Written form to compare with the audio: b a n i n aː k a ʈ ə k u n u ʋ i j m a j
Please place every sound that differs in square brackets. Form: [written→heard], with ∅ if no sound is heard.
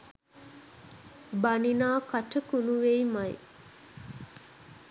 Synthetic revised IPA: b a n i n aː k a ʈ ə k u n u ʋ [i→e] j m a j